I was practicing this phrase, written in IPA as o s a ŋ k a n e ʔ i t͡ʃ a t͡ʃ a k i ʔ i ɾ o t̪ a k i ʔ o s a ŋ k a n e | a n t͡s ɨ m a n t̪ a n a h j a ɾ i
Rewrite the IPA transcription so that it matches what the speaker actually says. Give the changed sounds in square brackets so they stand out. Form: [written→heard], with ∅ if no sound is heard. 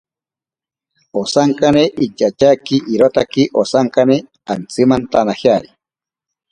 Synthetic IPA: o s a ŋ k a n e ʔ i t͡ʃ a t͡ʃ a k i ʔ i ɾ o t̪ a k i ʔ o s a ŋ k a n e | a n t͡s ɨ m a n t̪ a n a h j a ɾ i